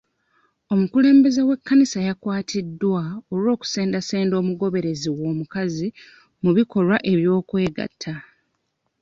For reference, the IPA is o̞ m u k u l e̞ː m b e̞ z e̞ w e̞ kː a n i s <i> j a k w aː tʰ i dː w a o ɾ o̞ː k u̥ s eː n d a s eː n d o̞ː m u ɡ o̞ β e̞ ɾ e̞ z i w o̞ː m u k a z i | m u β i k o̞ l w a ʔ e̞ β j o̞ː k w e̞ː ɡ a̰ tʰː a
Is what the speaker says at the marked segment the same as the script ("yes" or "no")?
no